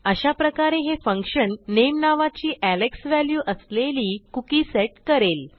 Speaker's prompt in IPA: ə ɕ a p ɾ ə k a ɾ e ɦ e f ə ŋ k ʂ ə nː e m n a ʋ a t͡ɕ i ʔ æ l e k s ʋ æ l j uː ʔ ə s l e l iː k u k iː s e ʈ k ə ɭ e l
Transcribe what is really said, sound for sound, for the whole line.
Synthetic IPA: ə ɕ a p ɾ ə k a ɾ e ɦ e f ə ŋ k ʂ ə nː e m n a ʋ a t͡ɕ iː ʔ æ l e k s ʋ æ l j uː ʔ ə s l e l iː k u k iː s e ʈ k ə ɾ e l